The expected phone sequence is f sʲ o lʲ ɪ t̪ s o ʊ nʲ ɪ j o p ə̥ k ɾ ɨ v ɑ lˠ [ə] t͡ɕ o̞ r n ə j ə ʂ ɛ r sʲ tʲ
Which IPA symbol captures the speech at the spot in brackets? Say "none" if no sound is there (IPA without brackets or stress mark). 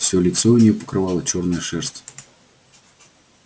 ə